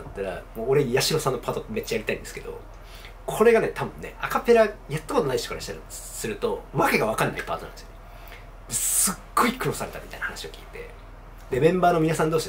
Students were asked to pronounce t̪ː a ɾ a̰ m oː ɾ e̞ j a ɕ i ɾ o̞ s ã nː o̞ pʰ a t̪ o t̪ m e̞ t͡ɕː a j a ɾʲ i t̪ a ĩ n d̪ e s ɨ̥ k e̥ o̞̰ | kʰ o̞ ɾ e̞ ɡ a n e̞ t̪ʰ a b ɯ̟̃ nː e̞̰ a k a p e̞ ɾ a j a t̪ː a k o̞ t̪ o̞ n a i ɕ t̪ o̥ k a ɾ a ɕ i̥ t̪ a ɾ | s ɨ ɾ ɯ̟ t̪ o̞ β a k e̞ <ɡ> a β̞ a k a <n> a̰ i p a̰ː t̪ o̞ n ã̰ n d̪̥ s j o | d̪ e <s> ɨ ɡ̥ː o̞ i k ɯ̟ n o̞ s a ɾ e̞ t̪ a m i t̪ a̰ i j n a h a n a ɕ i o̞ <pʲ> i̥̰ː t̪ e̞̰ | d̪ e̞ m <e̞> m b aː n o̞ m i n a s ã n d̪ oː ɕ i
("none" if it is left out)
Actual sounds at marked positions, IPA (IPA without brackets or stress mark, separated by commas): ɡ, nː, s, kʲ, ẽ̞